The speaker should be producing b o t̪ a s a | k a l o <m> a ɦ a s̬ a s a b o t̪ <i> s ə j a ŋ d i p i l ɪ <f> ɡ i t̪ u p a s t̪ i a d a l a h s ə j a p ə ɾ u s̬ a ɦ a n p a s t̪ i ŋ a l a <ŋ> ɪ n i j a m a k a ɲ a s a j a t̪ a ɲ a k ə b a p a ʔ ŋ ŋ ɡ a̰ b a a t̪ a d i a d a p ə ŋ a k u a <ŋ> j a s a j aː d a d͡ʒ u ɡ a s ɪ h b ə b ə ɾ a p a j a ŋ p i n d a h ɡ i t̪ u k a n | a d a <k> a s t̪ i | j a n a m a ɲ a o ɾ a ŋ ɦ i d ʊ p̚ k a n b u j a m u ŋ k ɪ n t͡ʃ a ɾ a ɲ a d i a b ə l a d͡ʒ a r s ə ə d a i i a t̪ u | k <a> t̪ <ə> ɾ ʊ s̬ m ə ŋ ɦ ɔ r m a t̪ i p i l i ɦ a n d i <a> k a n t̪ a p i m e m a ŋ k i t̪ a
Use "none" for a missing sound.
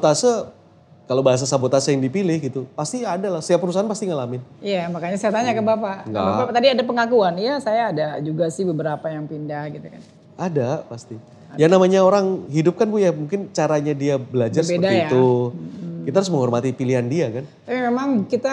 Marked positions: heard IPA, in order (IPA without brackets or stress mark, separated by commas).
b, a, h, m, n, p, i, a, a